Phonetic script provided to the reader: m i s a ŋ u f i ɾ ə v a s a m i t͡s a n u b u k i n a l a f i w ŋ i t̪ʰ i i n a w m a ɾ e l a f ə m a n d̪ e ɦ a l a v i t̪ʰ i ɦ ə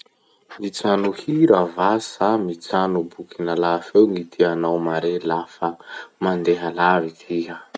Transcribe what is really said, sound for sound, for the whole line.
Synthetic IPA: m i t͡s a n u h i ɾ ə v a s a m i t͡s a n u b u k i n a l a f e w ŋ i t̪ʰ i a n a w m a ɾ e l a f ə m a n d̪ e ɦ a l a v i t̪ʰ i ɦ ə